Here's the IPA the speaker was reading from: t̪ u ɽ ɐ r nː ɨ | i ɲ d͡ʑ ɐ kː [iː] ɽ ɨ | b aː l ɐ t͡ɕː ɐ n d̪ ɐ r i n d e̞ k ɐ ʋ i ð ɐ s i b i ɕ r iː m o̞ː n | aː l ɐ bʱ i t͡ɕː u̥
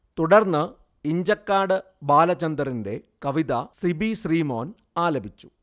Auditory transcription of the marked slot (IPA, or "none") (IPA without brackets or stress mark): aː